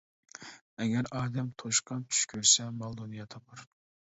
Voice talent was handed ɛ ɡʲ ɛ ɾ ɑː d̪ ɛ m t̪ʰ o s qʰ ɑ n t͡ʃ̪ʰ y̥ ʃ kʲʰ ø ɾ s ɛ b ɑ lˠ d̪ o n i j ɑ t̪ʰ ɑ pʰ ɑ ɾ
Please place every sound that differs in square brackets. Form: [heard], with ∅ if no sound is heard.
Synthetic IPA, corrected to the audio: ɛ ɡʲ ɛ ɾ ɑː d̪ ɛ m t̪ʰ o [ʃ] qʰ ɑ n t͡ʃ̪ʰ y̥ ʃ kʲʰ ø ɾ s ɛ [m] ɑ lˠ d̪ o n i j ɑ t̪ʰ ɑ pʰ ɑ ɾ